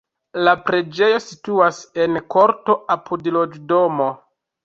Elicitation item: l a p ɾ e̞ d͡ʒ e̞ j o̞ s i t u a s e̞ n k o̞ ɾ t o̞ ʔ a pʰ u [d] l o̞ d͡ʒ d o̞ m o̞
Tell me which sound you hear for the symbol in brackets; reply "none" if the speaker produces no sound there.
d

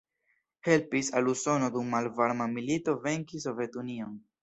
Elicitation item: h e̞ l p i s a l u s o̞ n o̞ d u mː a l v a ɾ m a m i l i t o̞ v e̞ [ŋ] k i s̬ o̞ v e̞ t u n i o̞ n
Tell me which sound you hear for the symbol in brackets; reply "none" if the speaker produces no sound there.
ŋ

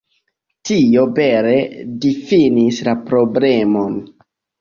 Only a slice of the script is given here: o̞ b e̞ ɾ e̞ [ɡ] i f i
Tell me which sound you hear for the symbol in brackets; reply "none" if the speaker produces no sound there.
d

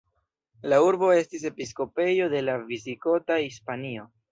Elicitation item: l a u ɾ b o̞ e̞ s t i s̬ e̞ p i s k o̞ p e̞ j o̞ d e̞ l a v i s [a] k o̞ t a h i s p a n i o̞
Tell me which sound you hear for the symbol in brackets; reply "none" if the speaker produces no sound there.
i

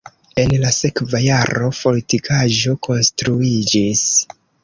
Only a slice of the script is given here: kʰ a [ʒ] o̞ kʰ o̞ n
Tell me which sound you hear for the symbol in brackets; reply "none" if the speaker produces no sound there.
ʒ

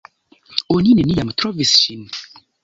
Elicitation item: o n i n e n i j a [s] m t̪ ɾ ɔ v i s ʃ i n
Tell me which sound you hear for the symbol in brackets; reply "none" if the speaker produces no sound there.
none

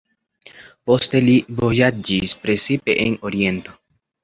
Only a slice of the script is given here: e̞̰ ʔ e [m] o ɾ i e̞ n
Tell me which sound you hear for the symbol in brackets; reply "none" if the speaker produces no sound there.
n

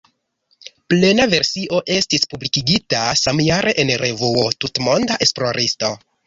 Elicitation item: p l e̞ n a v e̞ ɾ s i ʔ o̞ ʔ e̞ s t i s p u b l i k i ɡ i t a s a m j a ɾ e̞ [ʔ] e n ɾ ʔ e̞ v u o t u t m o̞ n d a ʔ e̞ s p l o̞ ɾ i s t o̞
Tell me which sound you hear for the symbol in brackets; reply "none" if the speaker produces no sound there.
ʔ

